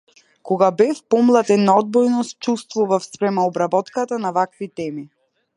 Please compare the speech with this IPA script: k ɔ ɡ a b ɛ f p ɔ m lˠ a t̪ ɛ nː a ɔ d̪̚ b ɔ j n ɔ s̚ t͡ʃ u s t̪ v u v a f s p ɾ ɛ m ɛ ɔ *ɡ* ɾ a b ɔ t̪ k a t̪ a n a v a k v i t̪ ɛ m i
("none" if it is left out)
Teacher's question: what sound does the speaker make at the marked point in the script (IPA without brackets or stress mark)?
b